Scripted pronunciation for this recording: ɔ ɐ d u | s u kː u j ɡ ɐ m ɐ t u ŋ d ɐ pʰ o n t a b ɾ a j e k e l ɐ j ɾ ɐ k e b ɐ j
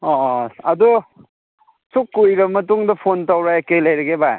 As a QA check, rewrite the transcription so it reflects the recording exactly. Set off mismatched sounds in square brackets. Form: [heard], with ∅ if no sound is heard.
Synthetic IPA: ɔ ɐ d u | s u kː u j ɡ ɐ m ɐ t u ŋ d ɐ pʰ o n t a [w] ɾ a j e k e l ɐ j ɾ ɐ [ɡ] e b [a] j